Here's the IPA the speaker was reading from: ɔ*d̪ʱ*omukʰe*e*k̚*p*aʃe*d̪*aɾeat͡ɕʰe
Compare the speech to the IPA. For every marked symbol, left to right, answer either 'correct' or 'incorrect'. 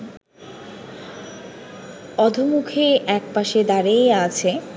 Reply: correct, incorrect: ɛ, correct, correct

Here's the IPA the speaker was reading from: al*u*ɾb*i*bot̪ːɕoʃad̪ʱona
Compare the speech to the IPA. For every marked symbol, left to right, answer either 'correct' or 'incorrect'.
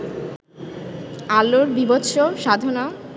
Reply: incorrect: o, correct

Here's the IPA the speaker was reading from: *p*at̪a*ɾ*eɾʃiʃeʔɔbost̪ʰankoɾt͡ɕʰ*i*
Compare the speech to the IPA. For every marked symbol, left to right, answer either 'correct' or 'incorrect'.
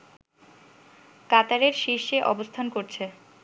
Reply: incorrect: k, correct, incorrect: e

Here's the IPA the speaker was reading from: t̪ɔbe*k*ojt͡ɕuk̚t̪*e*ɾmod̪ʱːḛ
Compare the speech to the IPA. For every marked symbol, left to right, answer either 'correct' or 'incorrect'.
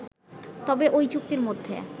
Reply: incorrect: ʔ, incorrect: i

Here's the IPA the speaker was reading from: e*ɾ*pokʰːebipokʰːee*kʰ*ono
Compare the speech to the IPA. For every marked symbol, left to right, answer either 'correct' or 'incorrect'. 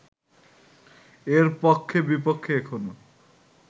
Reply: correct, correct

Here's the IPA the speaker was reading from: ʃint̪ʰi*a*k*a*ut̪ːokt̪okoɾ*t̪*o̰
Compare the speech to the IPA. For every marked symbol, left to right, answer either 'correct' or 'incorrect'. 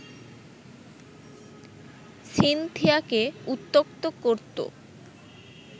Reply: correct, incorrect: e, correct

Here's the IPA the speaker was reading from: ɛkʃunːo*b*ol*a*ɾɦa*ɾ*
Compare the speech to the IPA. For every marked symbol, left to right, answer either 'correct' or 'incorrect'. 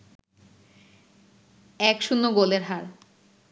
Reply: incorrect: ɡ, incorrect: e, correct

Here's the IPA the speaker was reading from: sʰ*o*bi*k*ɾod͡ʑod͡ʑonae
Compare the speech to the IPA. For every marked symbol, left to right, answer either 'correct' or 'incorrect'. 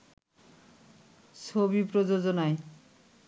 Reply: correct, incorrect: p

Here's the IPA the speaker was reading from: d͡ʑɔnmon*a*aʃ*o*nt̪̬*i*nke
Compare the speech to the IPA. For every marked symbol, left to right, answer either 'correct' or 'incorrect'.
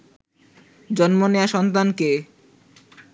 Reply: incorrect: e, incorrect: ɔ, incorrect: a

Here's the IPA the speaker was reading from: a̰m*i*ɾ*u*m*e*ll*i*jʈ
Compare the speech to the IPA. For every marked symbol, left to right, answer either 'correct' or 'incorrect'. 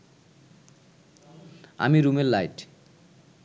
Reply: correct, correct, correct, incorrect: a

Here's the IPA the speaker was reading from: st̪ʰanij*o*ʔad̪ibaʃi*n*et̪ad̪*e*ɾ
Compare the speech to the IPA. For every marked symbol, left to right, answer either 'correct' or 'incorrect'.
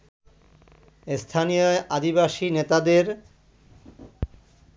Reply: correct, correct, correct

